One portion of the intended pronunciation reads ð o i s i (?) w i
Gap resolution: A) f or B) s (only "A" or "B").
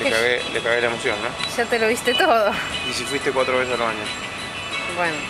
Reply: A